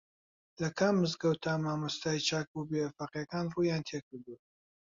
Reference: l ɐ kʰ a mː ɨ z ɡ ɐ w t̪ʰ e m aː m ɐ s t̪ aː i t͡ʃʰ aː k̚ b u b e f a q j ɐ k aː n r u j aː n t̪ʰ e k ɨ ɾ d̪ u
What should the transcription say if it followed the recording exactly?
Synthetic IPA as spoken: l ɐ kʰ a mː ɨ z ɡ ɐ w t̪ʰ a m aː m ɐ s t̪ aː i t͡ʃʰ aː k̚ b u b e f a q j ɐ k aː n r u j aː n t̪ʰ e k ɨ ɾ d̪ u